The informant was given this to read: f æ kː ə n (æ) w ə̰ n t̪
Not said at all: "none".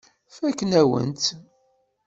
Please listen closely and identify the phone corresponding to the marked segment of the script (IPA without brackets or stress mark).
æ